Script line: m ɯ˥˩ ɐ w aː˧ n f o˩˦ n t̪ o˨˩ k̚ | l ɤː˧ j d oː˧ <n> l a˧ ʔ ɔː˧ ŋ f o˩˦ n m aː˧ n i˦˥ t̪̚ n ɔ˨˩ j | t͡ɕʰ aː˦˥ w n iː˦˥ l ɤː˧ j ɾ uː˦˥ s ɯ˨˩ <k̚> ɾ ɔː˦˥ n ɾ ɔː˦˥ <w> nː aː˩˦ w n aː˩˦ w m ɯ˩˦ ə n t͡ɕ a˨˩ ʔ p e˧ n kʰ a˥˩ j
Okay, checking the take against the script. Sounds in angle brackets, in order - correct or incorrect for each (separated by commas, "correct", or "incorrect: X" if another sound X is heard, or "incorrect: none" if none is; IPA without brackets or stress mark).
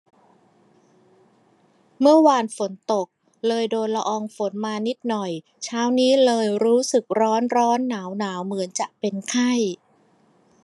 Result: correct, correct, incorrect: none